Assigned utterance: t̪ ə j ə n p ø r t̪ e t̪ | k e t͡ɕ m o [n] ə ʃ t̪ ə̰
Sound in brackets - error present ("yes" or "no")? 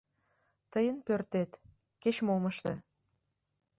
yes